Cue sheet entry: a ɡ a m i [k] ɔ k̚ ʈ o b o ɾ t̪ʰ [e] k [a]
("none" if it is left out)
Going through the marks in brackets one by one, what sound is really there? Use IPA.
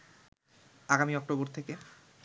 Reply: none, e, e

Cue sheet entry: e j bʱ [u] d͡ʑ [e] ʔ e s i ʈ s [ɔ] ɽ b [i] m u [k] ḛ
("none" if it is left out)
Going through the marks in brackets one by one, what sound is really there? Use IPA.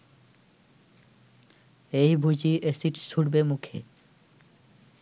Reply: u, i, u, e, kʰ

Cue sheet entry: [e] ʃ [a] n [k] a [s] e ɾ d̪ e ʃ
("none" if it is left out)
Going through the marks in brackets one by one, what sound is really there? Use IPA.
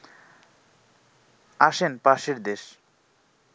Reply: a, e, p, ʃ

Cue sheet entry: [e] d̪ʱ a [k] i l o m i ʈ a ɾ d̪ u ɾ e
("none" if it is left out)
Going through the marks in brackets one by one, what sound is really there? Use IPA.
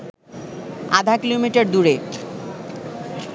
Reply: a, k

